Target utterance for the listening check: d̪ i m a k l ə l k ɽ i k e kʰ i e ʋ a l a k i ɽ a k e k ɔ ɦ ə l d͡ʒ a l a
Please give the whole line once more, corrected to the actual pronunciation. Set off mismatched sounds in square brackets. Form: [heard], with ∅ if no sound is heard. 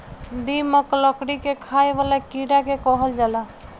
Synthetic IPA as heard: d̪ i m [ə] k l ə [∅] k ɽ i k e kʰ [a] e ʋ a l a k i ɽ a k e k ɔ ɦ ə l d͡ʒ a l a